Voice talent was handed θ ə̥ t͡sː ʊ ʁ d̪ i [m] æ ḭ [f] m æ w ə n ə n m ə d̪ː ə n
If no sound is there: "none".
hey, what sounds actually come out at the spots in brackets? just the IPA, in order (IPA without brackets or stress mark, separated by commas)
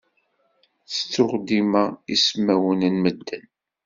m, s